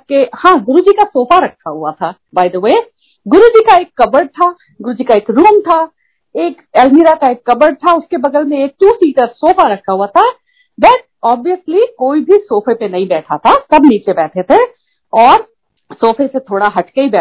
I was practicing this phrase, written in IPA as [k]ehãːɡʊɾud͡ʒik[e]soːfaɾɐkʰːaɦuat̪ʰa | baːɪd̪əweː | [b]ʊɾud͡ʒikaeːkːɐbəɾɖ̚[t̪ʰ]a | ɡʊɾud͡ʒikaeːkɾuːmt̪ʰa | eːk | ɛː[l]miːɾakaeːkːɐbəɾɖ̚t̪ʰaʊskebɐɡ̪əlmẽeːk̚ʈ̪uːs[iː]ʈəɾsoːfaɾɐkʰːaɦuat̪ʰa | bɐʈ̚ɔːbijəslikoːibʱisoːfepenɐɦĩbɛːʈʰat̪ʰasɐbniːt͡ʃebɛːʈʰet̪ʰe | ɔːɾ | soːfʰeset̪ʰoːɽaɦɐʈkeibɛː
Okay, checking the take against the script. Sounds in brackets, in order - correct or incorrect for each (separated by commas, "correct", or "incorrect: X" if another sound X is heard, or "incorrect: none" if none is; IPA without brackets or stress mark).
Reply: correct, incorrect: a, incorrect: ɡ, correct, correct, correct